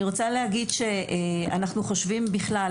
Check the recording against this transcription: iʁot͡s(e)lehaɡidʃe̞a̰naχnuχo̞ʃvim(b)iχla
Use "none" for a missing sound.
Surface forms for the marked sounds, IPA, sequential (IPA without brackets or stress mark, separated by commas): a, b